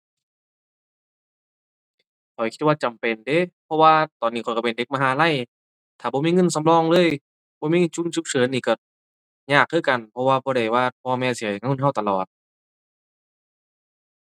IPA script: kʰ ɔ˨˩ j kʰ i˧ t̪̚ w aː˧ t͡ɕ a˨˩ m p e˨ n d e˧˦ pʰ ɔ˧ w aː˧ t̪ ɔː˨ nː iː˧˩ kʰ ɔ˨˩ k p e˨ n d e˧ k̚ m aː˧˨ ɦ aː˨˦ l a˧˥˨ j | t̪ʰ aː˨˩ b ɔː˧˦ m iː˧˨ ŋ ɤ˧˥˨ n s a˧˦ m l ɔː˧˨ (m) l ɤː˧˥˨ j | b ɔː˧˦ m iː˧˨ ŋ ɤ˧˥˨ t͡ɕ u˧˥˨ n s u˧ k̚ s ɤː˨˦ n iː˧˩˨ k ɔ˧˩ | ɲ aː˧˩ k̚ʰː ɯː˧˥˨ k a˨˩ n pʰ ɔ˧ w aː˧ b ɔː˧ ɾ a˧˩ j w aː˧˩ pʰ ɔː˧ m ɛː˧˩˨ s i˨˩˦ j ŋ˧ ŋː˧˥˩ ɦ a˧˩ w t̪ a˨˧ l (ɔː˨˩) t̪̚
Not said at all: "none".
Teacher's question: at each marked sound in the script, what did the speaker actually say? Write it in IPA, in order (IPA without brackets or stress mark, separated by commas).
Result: ŋ, ɔː˨˩